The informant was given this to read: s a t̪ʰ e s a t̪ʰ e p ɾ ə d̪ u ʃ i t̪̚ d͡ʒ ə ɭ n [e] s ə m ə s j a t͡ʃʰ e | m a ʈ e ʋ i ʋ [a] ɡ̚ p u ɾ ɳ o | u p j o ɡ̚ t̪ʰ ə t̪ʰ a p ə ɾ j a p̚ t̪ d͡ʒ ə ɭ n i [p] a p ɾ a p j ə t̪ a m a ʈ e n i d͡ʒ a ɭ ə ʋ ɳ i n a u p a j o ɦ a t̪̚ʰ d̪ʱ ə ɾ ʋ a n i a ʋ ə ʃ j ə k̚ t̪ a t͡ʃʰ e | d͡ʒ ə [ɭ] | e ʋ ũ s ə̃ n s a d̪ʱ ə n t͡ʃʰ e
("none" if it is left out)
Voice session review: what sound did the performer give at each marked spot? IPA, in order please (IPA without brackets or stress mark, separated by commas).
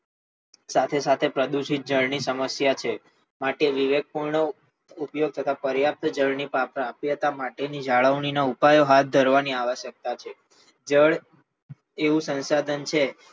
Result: i, e, p, ɭ